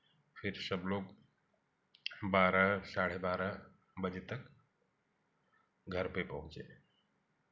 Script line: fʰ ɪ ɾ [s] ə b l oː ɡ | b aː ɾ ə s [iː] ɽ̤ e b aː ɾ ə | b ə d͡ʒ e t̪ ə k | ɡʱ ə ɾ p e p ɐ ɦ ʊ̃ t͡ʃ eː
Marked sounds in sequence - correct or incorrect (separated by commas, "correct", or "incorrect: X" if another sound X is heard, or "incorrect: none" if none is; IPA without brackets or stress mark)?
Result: correct, incorrect: aː